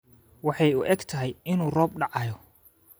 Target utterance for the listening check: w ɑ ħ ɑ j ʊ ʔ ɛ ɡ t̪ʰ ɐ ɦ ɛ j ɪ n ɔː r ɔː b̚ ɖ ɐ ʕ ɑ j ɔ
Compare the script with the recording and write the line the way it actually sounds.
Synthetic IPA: w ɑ ħ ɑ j ʊ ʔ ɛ ɡ t̪ʰ ɐ ɦ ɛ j ɪ n uː r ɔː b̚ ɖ ɑ ʕ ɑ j ɔ